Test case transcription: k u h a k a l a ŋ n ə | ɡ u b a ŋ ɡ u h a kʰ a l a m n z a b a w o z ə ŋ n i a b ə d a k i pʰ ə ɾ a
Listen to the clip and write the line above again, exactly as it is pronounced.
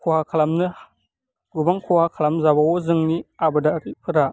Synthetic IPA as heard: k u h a k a l a m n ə | ɡ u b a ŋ k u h a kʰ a l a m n z a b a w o z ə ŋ n i a b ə d a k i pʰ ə ɾ a